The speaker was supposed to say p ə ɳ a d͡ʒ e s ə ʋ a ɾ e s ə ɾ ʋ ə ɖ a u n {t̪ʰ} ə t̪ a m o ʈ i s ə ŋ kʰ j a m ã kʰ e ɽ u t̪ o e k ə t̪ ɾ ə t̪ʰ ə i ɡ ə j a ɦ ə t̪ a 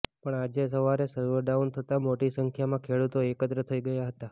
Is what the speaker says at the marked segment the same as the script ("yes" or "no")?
yes